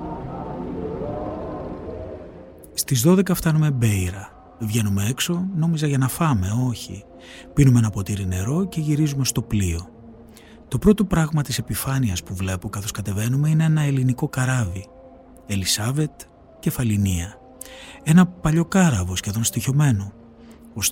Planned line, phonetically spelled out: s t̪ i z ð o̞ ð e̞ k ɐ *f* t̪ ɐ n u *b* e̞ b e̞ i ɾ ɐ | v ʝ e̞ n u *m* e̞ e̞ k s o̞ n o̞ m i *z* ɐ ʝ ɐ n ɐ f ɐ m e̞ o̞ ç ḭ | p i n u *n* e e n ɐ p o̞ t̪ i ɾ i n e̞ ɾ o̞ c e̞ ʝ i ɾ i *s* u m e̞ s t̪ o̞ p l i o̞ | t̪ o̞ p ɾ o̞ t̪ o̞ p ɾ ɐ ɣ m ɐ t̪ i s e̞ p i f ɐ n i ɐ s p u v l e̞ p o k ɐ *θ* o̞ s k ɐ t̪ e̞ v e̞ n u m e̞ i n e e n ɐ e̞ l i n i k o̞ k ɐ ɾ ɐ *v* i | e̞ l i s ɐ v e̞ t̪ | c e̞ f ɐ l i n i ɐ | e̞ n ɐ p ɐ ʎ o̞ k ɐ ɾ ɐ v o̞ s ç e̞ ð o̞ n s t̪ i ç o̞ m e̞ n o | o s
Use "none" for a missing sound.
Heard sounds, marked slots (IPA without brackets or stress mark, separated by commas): f, m, m, z, m, z, θ, v